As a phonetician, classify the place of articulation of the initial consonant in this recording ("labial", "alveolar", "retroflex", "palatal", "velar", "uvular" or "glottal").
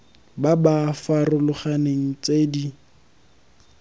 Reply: labial